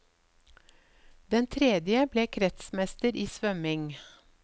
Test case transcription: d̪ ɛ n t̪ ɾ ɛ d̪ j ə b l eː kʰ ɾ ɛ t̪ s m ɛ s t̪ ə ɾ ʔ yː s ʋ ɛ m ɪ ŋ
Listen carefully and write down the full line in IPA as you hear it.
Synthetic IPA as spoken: d̪ ɛ n t̪ʰ ɾ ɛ d̪ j ə b l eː kʰ ɾ ɛ t̪ s m ɛ s t̪ ə ɾ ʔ iː s ʋ œ m ɪ ŋ